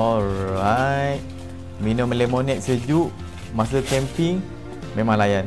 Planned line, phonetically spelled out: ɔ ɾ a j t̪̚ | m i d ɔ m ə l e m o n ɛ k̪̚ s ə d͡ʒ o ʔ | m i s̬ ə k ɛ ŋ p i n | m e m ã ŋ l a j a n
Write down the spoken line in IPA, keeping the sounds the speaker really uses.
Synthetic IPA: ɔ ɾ a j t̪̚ | m i n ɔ m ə l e m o n ɛ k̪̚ s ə d͡ʒ u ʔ | m a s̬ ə k ɛ m p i ŋ | m e m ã ŋ l a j a n